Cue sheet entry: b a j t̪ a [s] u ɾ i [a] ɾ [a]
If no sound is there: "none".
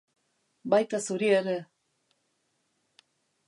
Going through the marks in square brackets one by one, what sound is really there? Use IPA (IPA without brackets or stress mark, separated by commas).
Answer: s, e, e